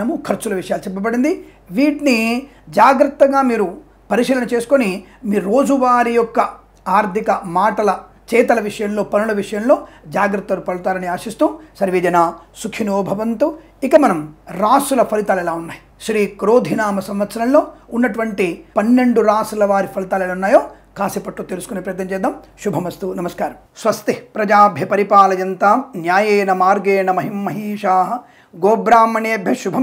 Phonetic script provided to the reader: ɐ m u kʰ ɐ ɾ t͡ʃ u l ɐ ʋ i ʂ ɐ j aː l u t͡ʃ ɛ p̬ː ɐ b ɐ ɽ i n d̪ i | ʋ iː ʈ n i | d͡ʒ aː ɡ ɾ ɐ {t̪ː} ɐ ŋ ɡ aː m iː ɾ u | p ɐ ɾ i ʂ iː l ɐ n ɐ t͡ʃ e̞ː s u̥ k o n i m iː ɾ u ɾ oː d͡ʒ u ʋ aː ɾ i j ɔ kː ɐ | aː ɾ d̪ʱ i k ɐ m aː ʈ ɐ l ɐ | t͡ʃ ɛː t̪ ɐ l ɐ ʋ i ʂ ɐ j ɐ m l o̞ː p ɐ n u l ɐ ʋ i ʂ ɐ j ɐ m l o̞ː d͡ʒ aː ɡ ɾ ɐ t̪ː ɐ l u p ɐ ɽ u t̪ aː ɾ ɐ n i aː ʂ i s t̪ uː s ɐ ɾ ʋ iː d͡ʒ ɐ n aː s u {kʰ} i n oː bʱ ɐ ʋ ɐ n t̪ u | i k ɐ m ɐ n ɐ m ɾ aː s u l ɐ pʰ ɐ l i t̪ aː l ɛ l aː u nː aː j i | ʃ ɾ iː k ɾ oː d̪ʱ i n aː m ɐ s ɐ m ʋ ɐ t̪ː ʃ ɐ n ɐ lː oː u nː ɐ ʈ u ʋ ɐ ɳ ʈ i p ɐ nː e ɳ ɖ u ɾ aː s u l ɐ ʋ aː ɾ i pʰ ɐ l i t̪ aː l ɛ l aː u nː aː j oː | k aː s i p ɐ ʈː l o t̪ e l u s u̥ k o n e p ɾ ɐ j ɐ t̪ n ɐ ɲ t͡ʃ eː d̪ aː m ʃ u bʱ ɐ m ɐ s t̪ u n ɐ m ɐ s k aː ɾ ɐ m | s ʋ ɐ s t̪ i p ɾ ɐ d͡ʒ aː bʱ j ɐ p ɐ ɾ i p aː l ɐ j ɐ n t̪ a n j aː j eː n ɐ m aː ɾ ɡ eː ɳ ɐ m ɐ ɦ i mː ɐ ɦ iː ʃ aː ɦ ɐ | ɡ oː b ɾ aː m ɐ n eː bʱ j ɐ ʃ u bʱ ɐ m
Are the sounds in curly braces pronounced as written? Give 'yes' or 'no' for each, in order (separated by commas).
yes, yes